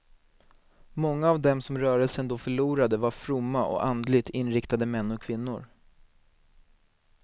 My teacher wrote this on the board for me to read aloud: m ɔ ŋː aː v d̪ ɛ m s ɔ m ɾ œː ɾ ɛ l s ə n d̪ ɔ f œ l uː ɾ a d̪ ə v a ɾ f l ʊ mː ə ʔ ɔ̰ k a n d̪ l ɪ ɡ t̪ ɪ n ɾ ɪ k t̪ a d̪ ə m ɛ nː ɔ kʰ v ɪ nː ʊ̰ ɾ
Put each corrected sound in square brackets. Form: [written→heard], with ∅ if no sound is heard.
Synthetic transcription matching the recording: m ɔ ŋː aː v d̪ ɛ m s ɔ m ɾ œː ɾ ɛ l s ə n d̪ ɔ f œ [l→ɭ] uː ɾ a d̪ ə v a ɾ f [l→ɾ] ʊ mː [ə→a] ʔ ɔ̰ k a n d̪ l ɪ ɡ t̪ ɪ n ɾ ɪ k t̪ a d̪ ə m ɛ nː ɔ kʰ v ɪ nː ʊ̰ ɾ

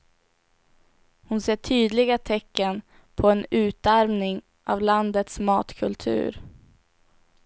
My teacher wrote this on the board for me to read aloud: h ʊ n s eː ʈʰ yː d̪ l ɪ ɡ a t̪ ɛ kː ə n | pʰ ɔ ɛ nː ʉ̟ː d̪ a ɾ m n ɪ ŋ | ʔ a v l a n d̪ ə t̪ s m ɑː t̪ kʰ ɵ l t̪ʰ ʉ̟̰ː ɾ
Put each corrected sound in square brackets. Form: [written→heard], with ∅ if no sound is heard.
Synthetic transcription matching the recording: h ʊ n s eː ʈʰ yː d̪ l ɪ ɡ a [t̪→t̪ʰ] ɛ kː ə n | pʰ ɔ ɛ [nː→n] ʉ̟ː [d̪→t̪] a ɾ m n ɪ ŋ | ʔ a v l a n d̪ ə t̪ s m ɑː t̪ kʰ ɵ l t̪ʰ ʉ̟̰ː ɾ

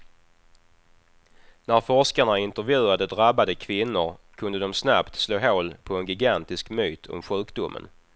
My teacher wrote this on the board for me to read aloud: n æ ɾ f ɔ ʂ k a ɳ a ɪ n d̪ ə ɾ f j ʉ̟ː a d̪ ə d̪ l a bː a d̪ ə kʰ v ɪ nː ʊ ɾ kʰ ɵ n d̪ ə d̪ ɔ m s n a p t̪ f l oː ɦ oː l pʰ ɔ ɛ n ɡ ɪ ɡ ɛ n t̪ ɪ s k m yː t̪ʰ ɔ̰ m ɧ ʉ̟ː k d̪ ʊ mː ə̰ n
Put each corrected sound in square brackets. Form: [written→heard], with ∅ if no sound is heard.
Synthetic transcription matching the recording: n æ ɾ f ɔ ʂ k a ɳ a ɪ n [d̪→t̪] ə ɾ [f→v] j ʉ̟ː a d̪ ə d̪ [l→ɾ] a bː a d̪ ə kʰ v ɪ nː ʊ ɾ kʰ ɵ n d̪ ə d̪ ɔ m s n a p t̪ [f→s] l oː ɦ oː l pʰ ɔ ɛ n ɡ ɪ ɡ [ɛ→a] n t̪ ɪ s k m yː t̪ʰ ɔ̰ m ɧ ʉ̟ː k d̪ ʊ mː ə̰ n

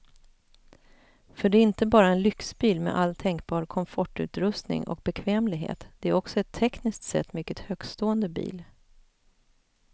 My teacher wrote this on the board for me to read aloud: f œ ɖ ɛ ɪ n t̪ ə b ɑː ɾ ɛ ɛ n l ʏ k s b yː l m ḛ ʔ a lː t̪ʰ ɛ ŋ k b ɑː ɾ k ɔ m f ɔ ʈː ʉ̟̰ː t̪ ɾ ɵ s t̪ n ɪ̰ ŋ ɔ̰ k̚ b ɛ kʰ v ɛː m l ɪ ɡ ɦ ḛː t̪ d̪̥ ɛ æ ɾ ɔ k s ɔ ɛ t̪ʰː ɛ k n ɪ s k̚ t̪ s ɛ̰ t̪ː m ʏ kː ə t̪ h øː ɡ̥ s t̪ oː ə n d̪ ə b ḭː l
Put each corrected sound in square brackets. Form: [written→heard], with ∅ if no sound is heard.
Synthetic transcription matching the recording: f œ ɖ ɛ ɪ n t̪ ə b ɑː ɾ [ɛ→a] ɛ n l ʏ k s b [yː→iː] l m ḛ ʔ a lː t̪ʰ ɛ ŋ k b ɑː ɾ [k→kʰ] ɔ m f ɔ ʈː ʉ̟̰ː t̪ ɾ ɵ s t̪ n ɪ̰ ŋ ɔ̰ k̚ b ɛ kʰ v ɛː m l ɪ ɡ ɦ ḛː t̪ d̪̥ ɛ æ ɾ ɔ k s ɔ ɛ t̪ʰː ɛ k n ɪ s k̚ t̪ s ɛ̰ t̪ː m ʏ kː ə t̪ h øː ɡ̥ s t̪ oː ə n d̪ ə b ḭː l

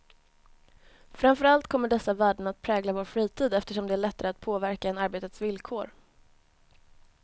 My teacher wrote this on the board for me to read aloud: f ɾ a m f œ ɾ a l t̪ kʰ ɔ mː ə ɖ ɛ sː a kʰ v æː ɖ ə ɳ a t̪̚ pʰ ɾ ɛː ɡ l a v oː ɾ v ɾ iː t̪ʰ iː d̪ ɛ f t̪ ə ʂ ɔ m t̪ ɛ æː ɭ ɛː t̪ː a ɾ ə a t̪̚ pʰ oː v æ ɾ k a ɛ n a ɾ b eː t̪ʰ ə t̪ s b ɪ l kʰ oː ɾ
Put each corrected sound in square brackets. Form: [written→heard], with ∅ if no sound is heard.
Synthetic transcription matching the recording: f ɾ a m f œ ɾ a l t̪ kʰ ɔ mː ə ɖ ɛ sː a [kʰ→∅] v æː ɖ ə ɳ a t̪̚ pʰ ɾ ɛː ɡ l a v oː ɾ [v→f] ɾ iː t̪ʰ iː d̪ ɛ f t̪ ə ʂ ɔ m [t̪→d̪] ɛ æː ɭ [ɛː→ɛ] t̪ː a ɾ ə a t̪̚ pʰ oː v æ ɾ k a ɛ n a ɾ b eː [t̪ʰ→t̪] ə t̪ s [b→v] ɪ l kʰ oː ɾ

